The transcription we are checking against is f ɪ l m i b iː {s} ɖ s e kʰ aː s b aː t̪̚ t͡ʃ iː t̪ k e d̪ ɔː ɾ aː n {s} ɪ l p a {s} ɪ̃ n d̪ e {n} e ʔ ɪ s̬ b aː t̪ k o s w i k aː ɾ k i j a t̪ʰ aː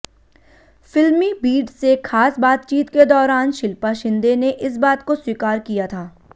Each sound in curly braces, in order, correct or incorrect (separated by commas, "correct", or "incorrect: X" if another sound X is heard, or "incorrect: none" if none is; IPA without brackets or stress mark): incorrect: none, incorrect: ʃ, incorrect: ʃ, correct